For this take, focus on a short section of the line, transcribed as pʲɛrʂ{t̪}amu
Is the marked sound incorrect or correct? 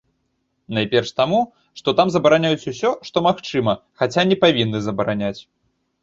correct